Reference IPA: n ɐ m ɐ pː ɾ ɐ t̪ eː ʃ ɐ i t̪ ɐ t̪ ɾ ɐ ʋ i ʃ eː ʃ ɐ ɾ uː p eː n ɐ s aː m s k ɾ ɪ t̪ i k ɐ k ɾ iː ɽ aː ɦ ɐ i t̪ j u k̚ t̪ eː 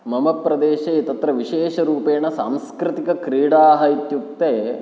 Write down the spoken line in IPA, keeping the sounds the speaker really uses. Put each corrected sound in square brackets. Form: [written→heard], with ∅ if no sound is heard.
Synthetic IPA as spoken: [n→m] ɐ m ɐ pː ɾ ɐ [t̪→d̪] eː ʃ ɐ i t̪ ɐ t̪ ɾ ɐ ʋ i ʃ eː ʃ ɐ ɾ uː p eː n ɐ s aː m s k ɾ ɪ t̪ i k ɐ k ɾ iː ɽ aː ɦ ɐ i t̪ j u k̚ t̪ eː

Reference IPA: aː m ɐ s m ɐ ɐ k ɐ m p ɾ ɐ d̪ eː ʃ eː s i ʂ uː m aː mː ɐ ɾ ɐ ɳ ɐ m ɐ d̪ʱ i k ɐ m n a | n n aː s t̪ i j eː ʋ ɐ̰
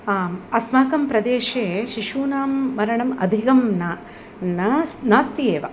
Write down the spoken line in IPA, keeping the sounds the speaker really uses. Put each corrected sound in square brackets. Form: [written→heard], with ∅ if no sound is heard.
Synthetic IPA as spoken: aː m ɐ s m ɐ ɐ k ɐ m p ɾ ɐ d̪ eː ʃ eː [s→ʃ] i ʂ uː [m→n] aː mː ɐ ɾ ɐ ɳ ɐ m ɐ d̪ʱ i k ɐ m n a | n n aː s t̪ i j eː ʋ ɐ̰

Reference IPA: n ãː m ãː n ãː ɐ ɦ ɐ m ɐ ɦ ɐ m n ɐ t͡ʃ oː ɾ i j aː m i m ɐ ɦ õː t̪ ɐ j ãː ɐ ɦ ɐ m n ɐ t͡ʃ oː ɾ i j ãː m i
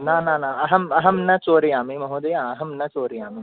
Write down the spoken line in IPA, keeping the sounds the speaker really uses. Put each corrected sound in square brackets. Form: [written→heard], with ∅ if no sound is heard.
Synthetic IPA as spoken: n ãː [m→n] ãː n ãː ɐ ɦ ɐ m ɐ ɦ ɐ m n ɐ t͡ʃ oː ɾ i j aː m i m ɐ ɦ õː [t̪→d̪] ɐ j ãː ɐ ɦ ɐ m n ɐ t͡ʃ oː ɾ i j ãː m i

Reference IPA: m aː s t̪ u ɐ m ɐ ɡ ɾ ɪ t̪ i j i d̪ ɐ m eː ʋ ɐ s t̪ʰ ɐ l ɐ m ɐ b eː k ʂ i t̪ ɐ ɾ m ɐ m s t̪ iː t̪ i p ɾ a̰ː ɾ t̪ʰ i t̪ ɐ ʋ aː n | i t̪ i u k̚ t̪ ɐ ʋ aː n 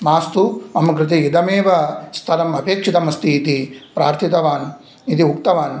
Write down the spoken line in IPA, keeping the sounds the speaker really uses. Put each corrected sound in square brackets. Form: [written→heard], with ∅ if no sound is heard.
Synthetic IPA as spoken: m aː s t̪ u ɐ m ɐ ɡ ɾ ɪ t̪ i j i d̪ ɐ m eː ʋ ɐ s t̪ʰ ɐ l ɐ m ɐ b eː k ʂ i t̪ ɐ [ɾ→∅] m ɐ [m→∅] s t̪ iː t̪ i p ɾ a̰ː ɾ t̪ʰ i t̪ ɐ ʋ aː n | i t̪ i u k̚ t̪ ɐ ʋ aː n

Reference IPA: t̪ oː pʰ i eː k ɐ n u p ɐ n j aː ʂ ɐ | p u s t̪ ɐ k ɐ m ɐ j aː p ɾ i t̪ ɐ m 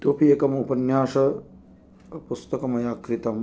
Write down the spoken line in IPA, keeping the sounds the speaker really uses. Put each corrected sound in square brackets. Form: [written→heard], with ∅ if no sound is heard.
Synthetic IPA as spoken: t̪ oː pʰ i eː k ɐ [n→m] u p ɐ n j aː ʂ ɐ | p u s t̪ ɐ k ɐ m ɐ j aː [p→k] ɾ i t̪ ɐ m

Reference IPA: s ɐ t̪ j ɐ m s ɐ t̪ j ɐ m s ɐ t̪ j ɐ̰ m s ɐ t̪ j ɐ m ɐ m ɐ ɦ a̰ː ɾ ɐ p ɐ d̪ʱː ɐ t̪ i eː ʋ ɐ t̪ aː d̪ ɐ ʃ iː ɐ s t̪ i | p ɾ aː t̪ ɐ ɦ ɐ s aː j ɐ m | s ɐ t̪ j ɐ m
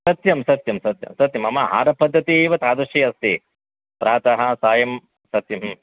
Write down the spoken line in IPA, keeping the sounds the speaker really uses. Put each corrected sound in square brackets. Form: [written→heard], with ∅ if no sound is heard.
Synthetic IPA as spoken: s ɐ t̪ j ɐ m s ɐ t̪ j ɐ m s ɐ t̪ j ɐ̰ m s ɐ t̪ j ɐ m ɐ m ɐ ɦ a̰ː ɾ ɐ p ɐ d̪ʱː ɐ t̪ i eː ʋ ɐ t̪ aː d̪ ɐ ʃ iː ɐ s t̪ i | p ɾ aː t̪ ɐ ɦ ɐ s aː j ɐ m | s ɐ t̪ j ɐ m

